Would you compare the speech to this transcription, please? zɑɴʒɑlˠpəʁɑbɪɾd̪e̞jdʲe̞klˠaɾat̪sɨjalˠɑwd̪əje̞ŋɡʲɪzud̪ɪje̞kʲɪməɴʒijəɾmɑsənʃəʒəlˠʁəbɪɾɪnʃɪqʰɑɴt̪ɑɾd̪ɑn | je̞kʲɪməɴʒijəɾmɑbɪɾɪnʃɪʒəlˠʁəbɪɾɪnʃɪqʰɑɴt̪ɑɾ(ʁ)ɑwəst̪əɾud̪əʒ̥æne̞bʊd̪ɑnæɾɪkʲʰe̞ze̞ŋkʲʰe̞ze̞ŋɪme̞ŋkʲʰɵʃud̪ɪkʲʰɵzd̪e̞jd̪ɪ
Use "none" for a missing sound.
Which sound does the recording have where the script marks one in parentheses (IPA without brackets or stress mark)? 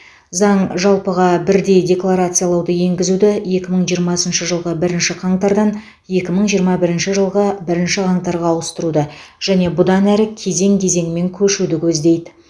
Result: ʁ